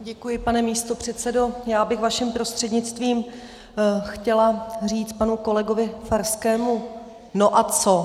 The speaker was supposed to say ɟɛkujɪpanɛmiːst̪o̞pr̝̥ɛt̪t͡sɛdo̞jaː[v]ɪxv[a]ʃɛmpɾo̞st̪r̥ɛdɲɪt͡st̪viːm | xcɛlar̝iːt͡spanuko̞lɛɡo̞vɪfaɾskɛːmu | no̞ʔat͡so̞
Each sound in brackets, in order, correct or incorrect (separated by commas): incorrect, correct